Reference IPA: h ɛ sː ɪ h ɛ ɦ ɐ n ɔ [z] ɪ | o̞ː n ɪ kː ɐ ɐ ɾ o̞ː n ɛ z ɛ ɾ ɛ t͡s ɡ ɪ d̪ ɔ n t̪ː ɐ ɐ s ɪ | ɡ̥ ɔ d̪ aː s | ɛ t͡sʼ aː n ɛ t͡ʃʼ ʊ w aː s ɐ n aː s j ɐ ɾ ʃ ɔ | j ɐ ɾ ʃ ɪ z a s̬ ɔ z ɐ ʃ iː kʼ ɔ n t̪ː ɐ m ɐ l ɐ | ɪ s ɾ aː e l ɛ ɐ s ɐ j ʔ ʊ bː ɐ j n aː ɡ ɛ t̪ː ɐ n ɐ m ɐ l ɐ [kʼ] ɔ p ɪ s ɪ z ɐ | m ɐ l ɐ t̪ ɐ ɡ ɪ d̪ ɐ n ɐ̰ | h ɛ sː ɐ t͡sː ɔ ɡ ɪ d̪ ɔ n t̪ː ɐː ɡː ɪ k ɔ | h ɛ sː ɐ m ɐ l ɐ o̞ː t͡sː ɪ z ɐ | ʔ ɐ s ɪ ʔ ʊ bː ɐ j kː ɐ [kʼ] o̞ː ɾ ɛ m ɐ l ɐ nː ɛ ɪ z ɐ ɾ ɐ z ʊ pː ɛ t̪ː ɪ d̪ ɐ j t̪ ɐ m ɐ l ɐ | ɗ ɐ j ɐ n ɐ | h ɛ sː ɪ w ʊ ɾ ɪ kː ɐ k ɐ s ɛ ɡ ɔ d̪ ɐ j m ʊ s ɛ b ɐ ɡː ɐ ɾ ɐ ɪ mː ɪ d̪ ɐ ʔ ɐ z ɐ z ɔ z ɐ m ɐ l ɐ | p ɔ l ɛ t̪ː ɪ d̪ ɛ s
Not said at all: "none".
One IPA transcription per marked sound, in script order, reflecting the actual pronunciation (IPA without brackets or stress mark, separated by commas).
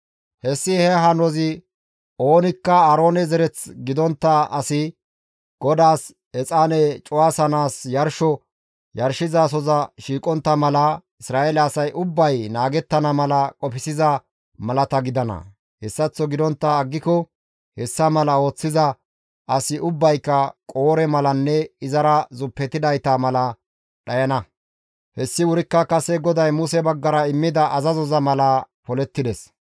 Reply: z, kʼ, kʼ